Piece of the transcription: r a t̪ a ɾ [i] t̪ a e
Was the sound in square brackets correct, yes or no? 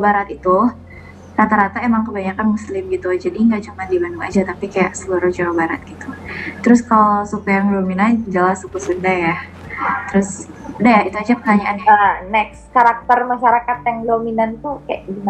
no